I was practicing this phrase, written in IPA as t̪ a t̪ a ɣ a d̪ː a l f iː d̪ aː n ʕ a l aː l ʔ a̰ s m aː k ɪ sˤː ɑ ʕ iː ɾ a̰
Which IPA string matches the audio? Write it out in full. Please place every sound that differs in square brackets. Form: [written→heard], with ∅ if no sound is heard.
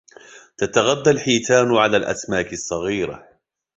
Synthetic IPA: t̪ a t̪ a ɣ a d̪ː a l [f→ħ] iː [d̪→t̪] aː n ʕ a l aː l ʔ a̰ s m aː k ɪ sˤː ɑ [ʕ→ɣ] iː ɾ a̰